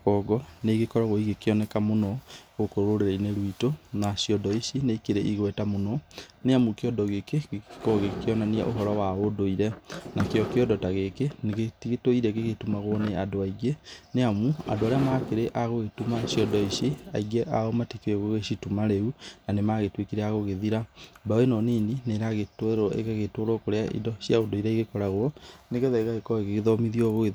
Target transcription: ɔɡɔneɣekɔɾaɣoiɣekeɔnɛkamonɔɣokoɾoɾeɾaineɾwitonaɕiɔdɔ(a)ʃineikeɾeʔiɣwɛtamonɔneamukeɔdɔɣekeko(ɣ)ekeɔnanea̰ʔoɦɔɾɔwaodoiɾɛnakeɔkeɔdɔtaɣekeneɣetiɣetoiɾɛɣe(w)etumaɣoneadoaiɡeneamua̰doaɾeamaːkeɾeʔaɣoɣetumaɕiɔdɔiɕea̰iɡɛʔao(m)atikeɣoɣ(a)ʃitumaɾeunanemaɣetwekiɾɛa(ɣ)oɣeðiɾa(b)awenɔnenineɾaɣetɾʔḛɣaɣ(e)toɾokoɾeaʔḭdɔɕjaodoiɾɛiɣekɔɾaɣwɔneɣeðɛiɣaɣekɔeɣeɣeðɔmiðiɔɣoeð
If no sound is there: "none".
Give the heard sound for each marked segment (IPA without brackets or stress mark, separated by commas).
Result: i, ɣ, ɣ, m, e, ɣ, b, e